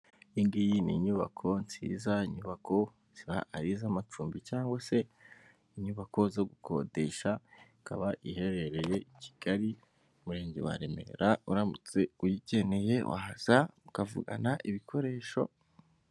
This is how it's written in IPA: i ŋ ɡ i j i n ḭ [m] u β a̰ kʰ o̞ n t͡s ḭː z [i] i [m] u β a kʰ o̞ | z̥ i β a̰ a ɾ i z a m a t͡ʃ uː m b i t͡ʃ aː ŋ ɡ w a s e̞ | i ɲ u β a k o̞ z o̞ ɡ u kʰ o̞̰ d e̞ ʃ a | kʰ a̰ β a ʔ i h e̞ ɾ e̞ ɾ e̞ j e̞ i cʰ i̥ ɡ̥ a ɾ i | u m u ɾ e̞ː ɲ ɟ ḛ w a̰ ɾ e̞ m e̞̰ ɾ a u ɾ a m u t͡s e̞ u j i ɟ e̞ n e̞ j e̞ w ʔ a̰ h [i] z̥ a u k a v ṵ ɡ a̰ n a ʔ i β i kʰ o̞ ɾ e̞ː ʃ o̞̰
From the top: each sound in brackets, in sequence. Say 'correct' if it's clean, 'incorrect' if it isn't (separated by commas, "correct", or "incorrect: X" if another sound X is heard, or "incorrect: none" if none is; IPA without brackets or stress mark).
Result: incorrect: ɲ, incorrect: a, incorrect: ɲ, incorrect: a